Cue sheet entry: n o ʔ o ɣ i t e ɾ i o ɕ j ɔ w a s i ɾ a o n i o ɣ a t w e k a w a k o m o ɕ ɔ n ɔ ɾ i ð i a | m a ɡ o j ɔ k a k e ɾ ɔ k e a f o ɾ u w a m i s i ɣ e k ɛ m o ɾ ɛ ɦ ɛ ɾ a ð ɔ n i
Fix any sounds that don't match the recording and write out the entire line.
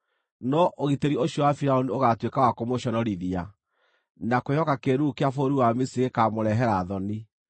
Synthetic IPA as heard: n ɔ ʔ o ɣ i t e ɾ i o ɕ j ɔ w a f i ɾ a o n i o ɣ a t w e k a w a k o m o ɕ ɔ n ɔ ɾ i ð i a | n a k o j ɔ k a k e ɾ u k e a f o ɾ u w a m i s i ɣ e k a m o ɾ ɛ ɦ ɛ ɾ a ð ɔ n i